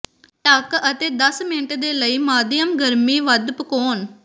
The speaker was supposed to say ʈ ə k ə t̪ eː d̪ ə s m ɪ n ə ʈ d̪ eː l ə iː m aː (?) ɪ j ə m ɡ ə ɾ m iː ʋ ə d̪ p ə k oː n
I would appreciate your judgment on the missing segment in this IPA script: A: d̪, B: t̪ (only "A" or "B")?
A